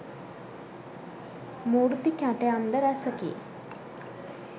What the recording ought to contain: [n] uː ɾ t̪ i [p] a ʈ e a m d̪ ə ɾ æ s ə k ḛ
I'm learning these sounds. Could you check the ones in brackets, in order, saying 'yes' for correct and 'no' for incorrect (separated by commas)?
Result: no, no